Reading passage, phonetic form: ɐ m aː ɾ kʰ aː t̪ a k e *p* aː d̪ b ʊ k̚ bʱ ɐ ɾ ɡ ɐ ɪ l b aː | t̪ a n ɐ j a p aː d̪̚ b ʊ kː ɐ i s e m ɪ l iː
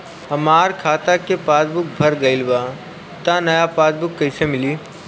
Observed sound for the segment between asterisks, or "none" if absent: p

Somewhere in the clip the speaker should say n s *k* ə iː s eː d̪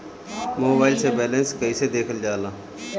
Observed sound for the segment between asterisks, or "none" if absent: k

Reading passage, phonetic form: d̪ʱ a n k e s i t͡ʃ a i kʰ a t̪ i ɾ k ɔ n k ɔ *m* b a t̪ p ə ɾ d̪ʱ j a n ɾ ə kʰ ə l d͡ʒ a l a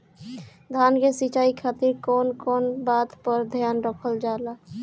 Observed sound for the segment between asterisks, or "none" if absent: n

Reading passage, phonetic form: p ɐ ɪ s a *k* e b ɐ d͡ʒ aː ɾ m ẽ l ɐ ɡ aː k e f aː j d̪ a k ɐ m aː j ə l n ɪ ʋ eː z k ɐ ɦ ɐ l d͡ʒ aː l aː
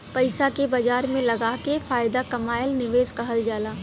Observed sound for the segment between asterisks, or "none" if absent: k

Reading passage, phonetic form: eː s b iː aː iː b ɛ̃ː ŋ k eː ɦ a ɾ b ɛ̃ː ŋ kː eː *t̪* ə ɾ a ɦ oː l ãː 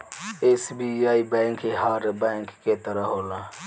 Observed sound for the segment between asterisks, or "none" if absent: t̪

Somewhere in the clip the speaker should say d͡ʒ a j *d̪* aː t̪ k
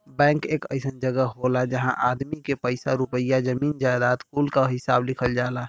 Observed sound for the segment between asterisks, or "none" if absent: d̪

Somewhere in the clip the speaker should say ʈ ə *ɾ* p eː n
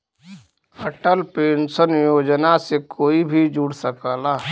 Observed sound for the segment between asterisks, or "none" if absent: l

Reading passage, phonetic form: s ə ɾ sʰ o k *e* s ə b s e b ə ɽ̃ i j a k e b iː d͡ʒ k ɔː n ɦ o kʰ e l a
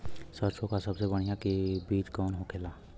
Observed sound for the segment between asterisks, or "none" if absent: a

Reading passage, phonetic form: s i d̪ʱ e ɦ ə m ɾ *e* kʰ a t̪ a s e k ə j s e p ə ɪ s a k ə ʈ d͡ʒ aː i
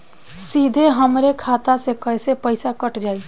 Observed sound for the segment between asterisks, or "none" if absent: e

